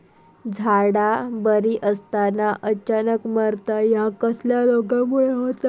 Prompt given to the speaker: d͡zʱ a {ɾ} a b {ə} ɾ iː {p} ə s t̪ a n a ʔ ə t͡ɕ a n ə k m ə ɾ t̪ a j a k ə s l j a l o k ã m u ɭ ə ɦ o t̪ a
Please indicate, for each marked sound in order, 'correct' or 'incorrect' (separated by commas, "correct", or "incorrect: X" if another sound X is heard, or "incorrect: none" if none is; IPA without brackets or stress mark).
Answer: incorrect: ɽ, correct, incorrect: ʔ